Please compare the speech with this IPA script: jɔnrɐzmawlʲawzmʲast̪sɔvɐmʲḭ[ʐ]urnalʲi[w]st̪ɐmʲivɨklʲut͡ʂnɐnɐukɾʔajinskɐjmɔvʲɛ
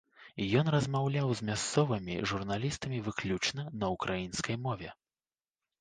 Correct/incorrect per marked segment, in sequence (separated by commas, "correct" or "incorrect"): correct, incorrect